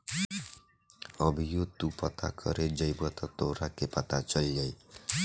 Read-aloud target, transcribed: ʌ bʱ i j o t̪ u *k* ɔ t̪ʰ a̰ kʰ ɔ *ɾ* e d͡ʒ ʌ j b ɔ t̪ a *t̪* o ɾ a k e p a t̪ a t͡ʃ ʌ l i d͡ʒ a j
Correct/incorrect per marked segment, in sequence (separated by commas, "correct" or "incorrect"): incorrect, correct, correct